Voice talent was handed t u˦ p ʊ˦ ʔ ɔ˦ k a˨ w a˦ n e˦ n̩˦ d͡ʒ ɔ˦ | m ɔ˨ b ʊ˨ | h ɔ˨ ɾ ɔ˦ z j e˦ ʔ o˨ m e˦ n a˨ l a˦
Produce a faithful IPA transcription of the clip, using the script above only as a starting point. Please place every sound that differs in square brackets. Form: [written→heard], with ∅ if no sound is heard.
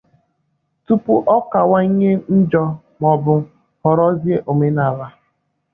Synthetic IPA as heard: t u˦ p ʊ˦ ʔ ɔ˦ k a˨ w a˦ [n→ɲ] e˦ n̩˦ d͡ʒ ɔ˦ | m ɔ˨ b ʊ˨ | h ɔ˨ ɾ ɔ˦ z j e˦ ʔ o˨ m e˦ n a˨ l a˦